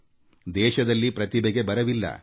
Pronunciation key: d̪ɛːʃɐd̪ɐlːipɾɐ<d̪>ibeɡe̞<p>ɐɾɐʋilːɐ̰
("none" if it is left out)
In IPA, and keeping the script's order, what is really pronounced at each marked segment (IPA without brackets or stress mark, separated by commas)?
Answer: t̪, b